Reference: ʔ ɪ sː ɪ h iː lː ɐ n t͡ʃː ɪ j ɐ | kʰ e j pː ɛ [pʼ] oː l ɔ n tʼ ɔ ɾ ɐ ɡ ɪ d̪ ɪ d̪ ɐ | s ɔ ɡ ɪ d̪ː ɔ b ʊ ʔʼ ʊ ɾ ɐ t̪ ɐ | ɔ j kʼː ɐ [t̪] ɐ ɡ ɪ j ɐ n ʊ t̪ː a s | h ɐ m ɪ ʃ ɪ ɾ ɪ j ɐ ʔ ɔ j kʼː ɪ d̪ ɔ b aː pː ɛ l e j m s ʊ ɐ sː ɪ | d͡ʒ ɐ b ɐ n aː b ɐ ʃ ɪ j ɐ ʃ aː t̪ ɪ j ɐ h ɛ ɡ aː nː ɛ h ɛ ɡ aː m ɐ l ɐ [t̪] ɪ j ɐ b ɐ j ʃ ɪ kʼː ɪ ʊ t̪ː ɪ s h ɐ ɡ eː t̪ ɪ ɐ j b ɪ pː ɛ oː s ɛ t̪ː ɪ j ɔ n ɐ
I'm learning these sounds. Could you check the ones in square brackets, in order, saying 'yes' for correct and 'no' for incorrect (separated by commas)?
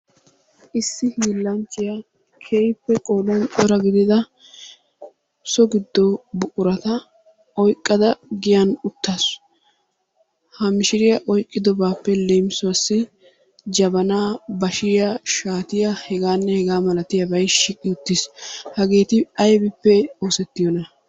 no, no, yes